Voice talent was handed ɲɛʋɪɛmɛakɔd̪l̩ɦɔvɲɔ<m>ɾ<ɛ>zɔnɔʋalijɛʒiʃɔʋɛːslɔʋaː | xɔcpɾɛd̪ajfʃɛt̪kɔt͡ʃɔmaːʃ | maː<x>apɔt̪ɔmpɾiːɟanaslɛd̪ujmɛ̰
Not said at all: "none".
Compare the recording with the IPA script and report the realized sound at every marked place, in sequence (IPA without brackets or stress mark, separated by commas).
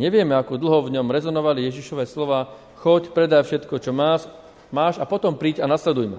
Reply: m, ɛ, ʃ